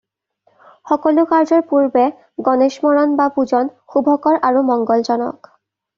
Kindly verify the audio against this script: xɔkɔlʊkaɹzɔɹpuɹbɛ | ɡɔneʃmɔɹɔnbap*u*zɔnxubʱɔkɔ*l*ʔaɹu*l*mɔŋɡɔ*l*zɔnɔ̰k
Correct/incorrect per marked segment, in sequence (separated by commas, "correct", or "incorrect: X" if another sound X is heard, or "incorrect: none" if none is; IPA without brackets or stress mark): correct, incorrect: ɹ, incorrect: none, correct